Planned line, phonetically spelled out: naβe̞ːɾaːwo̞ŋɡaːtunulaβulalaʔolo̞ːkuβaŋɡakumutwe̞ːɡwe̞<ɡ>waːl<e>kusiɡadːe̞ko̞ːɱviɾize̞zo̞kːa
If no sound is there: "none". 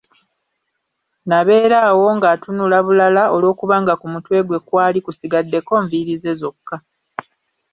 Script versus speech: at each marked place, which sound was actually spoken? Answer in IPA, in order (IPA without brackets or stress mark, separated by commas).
k, i